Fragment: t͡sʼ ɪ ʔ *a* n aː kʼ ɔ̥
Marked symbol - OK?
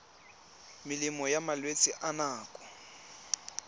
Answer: yes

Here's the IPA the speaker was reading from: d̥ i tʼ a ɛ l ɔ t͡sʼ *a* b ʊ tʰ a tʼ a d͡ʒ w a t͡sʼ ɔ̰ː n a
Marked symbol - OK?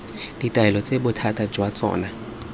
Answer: no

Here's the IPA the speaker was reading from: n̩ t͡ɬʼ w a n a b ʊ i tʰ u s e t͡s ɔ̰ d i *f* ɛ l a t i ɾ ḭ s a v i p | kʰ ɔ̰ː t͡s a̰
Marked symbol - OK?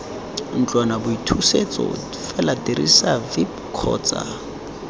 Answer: yes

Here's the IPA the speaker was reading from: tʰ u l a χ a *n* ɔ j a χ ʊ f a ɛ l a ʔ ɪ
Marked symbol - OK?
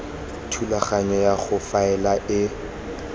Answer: no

